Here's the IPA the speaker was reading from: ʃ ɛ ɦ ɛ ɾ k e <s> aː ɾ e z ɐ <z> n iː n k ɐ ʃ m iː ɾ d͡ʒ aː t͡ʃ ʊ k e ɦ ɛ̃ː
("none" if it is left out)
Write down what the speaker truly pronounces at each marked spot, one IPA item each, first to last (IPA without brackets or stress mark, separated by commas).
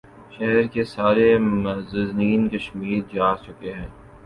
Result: s, z